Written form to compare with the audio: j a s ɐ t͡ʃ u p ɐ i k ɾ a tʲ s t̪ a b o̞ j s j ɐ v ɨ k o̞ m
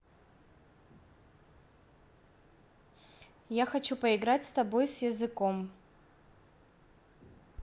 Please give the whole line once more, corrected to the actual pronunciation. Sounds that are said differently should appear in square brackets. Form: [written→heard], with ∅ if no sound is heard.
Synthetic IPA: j a [s→x] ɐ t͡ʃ u p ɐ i [k→ɡ] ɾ a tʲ s t̪ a b o̞ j s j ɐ [v→z] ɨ k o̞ m